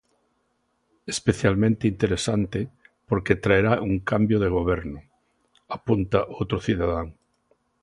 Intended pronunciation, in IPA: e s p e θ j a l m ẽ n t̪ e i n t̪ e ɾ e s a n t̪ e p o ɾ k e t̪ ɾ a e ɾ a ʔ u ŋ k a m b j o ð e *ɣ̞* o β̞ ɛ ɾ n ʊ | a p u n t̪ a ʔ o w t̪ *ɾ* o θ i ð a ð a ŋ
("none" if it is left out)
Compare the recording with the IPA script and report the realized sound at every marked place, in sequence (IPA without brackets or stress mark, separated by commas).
ɣ̞, ɾ